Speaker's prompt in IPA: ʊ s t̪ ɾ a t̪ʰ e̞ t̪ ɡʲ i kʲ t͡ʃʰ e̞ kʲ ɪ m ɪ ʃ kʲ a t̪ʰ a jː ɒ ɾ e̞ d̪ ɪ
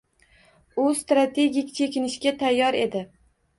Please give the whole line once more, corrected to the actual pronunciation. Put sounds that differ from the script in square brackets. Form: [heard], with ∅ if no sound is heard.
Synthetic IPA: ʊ s t̪ ɾ a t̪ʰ e̞ [∅] ɡʲ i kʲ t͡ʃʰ e̞ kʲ ɪ [n] ɪ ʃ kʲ a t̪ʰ a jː ɒ ɾ e̞ d̪ ɪ